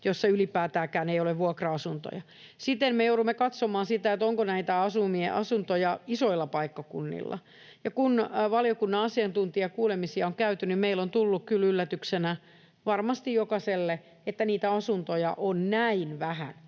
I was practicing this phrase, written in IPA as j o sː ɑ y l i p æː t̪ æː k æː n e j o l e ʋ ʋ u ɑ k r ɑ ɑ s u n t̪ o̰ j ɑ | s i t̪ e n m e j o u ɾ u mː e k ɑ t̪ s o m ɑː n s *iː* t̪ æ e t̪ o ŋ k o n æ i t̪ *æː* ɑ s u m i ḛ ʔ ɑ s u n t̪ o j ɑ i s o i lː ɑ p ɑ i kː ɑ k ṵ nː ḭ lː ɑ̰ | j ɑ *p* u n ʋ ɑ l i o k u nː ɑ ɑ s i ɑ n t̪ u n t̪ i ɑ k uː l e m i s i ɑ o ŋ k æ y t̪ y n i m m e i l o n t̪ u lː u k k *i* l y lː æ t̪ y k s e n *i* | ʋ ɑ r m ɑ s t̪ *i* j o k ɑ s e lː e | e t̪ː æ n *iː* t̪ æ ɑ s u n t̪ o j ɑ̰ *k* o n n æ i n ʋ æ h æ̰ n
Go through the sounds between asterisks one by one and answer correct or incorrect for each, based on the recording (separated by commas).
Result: incorrect, incorrect, incorrect, incorrect, incorrect, correct, correct, incorrect